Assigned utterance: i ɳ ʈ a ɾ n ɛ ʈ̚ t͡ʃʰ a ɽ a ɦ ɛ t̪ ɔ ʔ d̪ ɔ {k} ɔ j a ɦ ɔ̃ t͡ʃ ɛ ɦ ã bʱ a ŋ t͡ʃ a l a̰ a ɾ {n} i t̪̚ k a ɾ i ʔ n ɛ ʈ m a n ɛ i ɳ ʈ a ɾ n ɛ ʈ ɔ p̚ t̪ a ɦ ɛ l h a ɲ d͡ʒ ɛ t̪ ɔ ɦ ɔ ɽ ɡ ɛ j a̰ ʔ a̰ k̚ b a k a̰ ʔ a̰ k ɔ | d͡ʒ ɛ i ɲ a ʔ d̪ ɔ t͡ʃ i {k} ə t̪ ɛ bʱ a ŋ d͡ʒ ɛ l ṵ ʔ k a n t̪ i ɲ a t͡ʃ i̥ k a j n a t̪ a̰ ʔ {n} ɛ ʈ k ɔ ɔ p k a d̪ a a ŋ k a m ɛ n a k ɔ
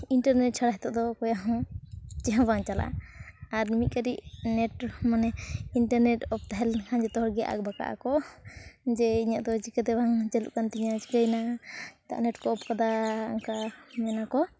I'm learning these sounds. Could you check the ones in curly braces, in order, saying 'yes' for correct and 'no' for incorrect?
yes, no, yes, yes

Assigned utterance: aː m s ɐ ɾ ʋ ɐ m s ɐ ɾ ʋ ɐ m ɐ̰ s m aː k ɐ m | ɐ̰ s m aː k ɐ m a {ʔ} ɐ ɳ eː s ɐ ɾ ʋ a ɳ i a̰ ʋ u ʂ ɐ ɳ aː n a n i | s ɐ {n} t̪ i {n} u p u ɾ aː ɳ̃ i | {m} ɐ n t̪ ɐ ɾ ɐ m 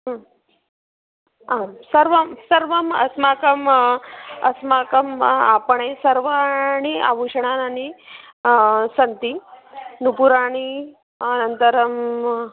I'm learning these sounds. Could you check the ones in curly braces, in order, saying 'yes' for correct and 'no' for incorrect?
no, yes, yes, no

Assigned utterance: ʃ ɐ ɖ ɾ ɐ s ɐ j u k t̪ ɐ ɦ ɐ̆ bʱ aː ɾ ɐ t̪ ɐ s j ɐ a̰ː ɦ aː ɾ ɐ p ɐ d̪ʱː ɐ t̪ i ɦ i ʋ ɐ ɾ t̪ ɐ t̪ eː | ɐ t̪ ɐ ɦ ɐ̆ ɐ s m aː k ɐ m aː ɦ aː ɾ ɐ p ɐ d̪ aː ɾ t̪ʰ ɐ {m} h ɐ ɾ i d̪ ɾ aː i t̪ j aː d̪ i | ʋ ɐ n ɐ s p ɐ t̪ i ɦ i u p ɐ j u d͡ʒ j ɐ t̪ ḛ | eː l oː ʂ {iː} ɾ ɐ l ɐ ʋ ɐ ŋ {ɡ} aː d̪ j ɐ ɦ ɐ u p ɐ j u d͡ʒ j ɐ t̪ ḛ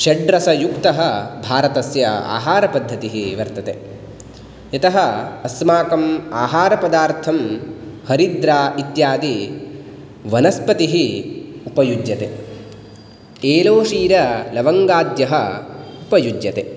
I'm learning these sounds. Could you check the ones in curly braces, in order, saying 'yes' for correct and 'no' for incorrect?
yes, yes, yes

